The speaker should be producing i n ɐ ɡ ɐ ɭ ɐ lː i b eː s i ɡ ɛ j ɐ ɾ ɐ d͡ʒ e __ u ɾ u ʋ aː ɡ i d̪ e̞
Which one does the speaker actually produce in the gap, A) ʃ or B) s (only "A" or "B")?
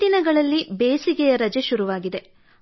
A